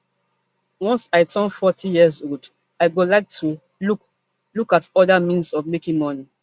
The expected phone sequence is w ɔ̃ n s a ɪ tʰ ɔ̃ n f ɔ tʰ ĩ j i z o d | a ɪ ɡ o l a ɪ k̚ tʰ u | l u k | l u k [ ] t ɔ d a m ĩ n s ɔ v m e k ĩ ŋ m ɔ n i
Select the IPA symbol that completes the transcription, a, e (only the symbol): a